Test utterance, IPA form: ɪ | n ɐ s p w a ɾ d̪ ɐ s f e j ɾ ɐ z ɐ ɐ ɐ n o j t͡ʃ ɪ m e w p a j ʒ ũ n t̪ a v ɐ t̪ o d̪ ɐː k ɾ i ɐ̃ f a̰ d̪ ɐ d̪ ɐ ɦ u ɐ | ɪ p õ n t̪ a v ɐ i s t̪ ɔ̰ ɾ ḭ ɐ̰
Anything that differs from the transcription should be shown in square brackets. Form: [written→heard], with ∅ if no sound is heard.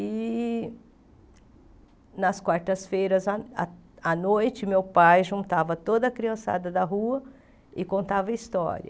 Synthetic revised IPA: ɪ | n ɐ s [p→k] w a ɾ [d̪→t̪] ɐ s f e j ɾ ɐ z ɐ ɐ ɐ n o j t͡ʃ ɪ m e w p a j ʒ ũ n t̪ a v ɐ t̪ o d̪ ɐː k ɾ i ɐ̃ [f→s] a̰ d̪ ɐ d̪ ɐ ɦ u ɐ | ɪ [p→k] õ n t̪ a v ɐ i s t̪ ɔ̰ ɾ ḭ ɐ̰